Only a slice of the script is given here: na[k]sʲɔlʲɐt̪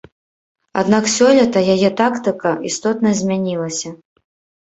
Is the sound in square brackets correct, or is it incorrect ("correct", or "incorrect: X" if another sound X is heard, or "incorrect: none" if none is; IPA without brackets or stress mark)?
correct